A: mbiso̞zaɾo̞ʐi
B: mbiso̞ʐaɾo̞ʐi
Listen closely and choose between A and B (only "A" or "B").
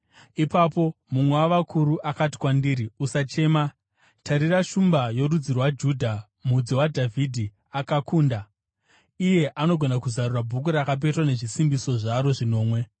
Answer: B